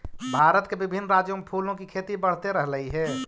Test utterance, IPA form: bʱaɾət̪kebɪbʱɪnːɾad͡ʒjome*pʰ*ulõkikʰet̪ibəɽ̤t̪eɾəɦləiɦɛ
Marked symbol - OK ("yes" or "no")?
yes